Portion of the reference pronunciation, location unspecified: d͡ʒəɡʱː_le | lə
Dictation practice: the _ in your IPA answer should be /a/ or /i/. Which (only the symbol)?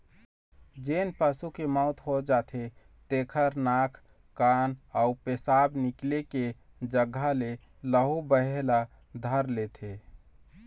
a